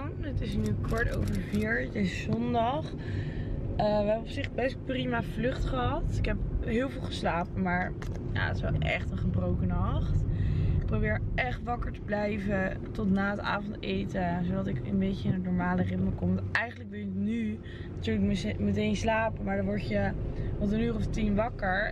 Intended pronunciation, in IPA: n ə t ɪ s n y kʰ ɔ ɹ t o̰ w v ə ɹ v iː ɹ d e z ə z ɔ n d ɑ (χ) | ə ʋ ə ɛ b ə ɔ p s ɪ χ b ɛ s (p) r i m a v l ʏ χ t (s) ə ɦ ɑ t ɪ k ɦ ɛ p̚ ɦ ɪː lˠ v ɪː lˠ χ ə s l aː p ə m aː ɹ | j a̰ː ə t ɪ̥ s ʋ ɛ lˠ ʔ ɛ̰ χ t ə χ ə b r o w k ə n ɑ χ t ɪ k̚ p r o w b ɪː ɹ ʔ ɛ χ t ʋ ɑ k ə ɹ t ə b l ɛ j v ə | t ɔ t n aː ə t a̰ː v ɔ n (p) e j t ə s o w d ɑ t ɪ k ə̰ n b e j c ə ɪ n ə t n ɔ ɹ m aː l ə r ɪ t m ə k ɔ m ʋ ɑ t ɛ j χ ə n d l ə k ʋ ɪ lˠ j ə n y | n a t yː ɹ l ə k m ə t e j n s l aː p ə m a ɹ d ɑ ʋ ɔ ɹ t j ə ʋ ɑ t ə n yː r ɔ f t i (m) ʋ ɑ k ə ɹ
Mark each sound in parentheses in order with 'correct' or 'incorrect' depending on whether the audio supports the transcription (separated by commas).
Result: correct, correct, incorrect, incorrect, incorrect